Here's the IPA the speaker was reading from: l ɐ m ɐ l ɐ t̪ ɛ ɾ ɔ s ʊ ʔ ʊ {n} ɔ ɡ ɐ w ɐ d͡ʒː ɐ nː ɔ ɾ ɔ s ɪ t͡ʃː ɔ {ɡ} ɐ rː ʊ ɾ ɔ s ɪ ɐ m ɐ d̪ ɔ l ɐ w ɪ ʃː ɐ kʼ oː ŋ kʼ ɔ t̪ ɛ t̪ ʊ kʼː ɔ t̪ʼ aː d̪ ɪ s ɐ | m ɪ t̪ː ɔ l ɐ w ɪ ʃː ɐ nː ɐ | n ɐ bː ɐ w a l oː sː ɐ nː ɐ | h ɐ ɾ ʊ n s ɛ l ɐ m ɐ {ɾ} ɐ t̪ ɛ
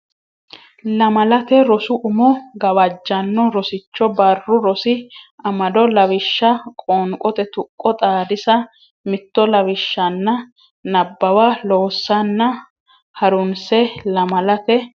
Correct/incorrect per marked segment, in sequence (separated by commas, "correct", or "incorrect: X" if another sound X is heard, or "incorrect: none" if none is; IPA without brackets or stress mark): incorrect: m, incorrect: b, incorrect: l